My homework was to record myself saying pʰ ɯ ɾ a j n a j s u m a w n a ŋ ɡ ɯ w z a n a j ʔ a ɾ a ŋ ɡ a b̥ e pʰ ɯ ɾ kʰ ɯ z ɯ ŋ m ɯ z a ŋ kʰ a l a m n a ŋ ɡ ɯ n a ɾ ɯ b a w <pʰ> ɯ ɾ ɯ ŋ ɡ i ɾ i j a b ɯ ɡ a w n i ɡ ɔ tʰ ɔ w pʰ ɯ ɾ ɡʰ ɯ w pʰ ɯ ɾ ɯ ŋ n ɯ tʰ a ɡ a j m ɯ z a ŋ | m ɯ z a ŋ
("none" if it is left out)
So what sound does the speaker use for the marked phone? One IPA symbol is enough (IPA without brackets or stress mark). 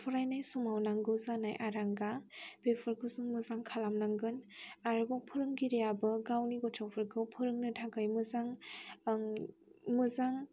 pʰ